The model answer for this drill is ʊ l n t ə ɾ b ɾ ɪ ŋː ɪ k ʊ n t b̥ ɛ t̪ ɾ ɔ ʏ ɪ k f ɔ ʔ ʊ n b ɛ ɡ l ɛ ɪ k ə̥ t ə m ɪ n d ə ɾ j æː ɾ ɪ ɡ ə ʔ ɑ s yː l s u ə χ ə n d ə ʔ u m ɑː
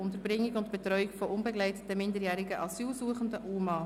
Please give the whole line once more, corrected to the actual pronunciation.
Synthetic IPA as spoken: ʊ n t ə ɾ b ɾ ɪ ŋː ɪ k ʊ n t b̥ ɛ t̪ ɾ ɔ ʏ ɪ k f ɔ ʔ ʊ n b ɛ ɡ l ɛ ɪ t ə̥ t ə m ɪ n d ə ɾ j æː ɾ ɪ ɡ ə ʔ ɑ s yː l s u ə χ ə n d ə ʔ u m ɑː